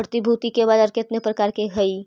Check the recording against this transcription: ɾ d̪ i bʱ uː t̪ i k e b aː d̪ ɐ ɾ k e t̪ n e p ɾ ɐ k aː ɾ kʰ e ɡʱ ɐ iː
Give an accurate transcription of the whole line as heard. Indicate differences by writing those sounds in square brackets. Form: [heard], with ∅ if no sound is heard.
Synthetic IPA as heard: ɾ [t̪] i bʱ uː t̪ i k e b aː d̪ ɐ ɾ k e t̪ n e p ɾ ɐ k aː ɾ [k] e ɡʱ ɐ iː